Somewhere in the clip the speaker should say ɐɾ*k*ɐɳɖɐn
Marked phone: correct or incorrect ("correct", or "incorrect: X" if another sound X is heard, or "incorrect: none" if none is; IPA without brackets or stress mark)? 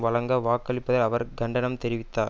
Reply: incorrect: ɡ